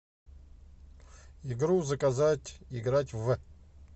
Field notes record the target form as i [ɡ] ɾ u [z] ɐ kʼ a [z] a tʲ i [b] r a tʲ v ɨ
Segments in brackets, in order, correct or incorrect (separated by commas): correct, correct, correct, incorrect